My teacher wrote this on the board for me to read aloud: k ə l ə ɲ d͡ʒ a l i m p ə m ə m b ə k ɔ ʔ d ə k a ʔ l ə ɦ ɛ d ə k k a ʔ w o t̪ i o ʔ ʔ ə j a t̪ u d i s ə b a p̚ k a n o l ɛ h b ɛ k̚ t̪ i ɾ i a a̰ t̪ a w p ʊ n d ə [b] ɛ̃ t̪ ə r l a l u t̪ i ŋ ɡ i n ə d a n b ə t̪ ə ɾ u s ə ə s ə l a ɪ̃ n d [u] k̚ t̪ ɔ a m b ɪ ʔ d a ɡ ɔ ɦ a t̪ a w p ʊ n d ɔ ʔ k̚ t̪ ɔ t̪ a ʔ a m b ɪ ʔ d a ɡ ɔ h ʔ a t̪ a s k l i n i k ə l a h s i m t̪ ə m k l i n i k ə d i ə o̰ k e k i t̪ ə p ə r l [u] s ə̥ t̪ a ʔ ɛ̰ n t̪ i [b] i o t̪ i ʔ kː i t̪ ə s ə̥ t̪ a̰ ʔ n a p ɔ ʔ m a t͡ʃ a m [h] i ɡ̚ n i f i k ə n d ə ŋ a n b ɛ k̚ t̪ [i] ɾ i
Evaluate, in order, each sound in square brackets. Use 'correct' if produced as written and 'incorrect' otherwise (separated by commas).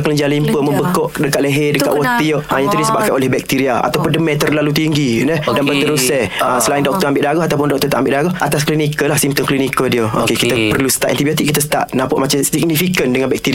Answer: incorrect, incorrect, correct, correct, incorrect, correct